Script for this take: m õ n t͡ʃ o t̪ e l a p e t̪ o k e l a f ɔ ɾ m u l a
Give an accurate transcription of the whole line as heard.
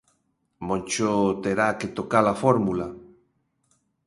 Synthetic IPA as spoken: m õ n t͡ʃ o t̪ e ɾ a k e t̪ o k a l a f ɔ ɾ m u l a